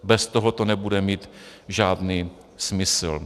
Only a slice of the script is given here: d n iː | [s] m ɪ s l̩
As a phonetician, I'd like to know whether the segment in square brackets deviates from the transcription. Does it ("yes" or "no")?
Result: no